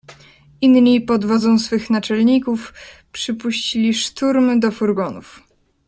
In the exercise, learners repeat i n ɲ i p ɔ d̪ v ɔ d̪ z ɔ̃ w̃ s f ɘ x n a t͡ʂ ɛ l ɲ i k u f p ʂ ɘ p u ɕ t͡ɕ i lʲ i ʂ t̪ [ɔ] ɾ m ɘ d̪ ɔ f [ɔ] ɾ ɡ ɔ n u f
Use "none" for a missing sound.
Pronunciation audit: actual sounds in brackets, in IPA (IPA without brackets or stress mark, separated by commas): u, u